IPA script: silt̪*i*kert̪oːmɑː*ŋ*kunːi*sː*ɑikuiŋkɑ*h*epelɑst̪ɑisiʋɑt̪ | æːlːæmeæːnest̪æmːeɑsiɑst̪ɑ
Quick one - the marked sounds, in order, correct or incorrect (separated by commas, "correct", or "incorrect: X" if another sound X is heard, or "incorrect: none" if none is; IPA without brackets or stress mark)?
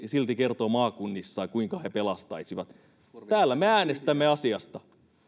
correct, incorrect: none, correct, correct